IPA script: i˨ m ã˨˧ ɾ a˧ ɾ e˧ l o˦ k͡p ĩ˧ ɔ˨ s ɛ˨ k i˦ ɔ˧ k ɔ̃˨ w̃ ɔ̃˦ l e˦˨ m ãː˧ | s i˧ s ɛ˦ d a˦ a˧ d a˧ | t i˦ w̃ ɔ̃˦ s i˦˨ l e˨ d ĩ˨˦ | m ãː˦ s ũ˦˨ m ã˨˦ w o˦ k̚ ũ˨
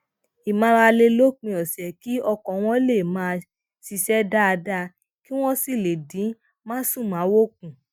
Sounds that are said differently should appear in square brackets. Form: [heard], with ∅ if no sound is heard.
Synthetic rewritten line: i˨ m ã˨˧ ɾ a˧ [l] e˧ l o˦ k͡p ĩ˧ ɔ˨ s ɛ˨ k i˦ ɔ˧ k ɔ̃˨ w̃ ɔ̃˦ l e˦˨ m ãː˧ | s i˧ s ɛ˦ d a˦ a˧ d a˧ | [k] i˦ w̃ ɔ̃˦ s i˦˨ l e˨ d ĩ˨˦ | m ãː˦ s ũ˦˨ m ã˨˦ w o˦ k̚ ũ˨